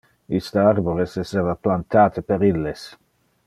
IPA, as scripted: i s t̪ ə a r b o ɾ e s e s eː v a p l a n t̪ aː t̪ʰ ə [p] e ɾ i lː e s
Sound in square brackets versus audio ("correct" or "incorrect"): correct